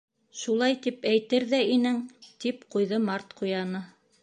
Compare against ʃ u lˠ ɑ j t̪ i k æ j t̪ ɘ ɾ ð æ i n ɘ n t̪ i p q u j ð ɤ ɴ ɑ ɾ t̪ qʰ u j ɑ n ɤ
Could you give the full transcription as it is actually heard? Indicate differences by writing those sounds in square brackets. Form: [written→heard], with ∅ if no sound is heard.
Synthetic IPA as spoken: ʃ u lˠ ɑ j t̪ i [k→p] æ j t̪ ɘ ɾ ð æ i n ɘ [n→ŋ] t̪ i p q u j ð ɤ [ɴ→m] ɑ ɾ t̪ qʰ u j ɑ n ɤ